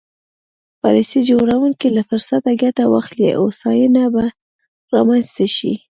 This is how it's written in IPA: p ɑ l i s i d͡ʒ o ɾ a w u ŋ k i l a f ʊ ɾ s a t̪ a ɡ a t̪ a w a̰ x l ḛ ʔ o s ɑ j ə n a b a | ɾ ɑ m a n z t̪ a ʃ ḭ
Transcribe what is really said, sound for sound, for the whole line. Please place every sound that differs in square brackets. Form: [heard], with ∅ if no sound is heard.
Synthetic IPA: p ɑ l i s i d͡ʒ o ɾ a w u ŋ k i l a f ʊ ɾ s a t̪ a ɡ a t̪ a w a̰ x l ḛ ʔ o s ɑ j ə n a b a | ɾ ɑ m a n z t̪ a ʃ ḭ